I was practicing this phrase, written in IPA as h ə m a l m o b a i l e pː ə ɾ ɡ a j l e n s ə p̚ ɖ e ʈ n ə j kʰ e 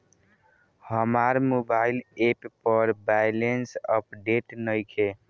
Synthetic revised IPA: h ə m a ɾ m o b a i l e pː ə ɾ b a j l e n s ə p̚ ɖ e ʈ n ə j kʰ e